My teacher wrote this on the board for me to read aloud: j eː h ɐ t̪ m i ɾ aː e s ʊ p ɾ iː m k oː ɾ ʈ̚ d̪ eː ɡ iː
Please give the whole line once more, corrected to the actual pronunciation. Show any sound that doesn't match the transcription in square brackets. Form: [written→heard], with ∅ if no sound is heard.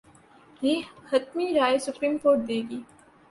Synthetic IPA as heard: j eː h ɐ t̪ m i ɾ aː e s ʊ p ɾ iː m k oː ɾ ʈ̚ d̪ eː ɡ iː